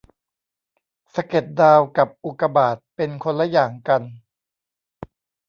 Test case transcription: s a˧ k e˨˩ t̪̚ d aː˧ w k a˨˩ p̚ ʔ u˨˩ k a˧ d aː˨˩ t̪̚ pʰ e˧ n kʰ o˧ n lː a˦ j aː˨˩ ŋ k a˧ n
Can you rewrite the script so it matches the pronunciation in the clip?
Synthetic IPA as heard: s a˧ k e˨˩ t̪̚ d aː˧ w k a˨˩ p̚ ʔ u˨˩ k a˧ b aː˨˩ t̪̚ p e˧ n kʰ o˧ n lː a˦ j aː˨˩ ŋ k a˧ n